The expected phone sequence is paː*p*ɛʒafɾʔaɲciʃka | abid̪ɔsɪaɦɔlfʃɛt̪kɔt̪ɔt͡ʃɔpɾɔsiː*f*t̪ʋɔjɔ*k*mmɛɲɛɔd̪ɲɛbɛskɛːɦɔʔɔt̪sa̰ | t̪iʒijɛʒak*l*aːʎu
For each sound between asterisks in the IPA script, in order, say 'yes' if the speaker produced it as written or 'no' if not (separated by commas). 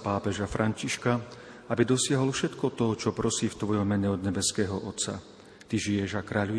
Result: yes, yes, no, no